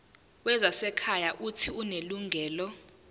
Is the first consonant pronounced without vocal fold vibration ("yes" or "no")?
no